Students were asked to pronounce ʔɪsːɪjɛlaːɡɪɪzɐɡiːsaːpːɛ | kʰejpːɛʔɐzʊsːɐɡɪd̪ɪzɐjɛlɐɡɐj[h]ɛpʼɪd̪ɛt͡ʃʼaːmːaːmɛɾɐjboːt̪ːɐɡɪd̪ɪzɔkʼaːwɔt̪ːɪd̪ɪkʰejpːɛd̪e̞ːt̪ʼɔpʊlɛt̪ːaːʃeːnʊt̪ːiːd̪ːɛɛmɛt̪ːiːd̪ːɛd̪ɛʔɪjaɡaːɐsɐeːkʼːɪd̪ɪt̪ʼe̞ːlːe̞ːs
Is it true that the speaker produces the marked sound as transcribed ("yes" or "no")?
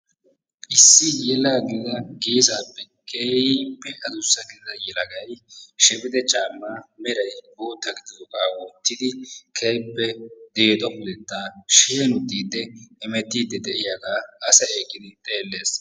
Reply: no